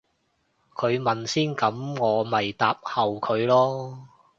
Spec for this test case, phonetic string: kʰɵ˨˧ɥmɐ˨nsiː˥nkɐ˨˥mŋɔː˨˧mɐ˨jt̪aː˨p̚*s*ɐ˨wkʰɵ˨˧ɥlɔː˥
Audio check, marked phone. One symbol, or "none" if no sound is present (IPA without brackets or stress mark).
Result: h